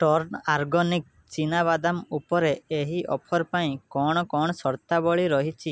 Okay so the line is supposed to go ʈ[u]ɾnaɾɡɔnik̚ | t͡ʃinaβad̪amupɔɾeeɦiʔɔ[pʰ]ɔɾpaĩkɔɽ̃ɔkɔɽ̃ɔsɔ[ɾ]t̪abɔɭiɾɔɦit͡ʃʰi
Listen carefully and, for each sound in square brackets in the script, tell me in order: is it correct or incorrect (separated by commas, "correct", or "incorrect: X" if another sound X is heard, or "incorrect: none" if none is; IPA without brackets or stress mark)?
incorrect: ɔ, correct, correct